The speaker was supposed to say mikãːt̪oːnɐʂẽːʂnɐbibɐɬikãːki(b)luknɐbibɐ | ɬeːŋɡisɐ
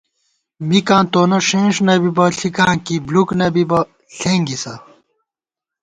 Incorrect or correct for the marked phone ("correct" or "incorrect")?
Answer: correct